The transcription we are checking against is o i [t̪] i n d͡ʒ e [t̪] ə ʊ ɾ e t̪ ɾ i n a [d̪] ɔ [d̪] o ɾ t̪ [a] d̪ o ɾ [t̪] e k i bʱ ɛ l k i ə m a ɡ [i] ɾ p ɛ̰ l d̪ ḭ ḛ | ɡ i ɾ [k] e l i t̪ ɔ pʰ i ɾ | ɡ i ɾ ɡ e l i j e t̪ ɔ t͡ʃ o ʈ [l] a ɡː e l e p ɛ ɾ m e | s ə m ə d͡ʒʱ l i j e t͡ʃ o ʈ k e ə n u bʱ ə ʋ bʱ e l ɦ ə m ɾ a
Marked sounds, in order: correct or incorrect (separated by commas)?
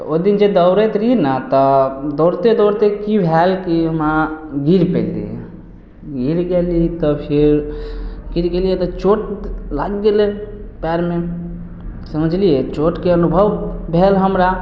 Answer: incorrect, incorrect, incorrect, correct, incorrect, correct, correct, incorrect, correct